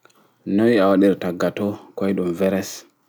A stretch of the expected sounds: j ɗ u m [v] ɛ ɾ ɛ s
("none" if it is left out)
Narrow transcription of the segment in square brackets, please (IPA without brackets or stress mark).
v